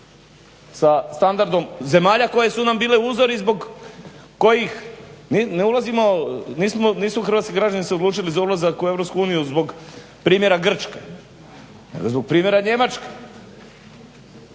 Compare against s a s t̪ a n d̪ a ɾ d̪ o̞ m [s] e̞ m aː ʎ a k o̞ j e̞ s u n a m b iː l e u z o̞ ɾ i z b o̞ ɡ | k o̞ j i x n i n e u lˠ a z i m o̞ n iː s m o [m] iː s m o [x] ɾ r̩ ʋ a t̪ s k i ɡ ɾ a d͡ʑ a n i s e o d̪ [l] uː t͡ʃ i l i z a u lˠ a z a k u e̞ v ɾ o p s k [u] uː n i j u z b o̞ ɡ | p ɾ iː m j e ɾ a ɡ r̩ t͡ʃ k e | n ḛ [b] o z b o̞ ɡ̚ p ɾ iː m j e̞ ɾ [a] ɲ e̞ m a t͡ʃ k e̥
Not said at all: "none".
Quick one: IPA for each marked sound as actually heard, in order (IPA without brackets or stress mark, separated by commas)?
z, n, x, l, u, ɡ, a